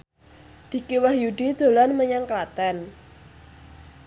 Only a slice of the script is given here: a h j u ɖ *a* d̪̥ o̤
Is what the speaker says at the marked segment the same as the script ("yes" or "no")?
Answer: no